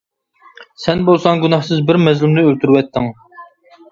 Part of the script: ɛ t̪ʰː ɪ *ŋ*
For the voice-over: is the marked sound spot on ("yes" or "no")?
yes